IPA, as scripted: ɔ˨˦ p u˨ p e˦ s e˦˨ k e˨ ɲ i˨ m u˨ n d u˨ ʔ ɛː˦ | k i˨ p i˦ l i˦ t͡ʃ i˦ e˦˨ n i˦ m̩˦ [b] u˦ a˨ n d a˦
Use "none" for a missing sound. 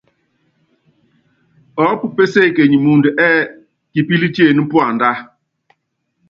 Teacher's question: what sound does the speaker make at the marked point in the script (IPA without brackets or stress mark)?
p